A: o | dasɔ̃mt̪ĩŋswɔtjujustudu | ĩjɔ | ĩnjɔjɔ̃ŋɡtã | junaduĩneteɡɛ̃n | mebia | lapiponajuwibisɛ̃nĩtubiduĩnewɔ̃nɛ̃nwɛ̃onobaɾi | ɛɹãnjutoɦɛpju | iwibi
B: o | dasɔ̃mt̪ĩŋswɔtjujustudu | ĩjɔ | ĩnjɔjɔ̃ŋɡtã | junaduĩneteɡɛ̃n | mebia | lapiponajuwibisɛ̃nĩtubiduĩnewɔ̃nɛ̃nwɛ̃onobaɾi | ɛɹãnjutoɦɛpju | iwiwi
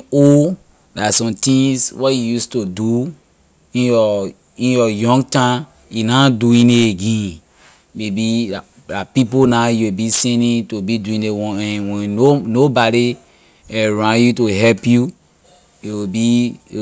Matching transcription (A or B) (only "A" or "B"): A